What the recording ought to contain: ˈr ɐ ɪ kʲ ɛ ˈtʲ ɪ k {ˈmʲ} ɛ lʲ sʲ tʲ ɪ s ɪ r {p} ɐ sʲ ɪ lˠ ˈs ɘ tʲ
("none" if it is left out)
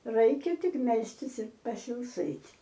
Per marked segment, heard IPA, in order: mʲ, p

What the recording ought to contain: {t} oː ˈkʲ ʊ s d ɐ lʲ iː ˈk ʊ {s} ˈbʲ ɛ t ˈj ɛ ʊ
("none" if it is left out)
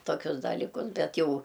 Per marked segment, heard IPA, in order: t, s

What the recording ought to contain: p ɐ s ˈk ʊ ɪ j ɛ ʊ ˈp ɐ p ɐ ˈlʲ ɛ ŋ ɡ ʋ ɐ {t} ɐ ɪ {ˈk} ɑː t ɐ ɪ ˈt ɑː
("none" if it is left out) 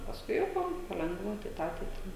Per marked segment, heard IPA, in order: t, t

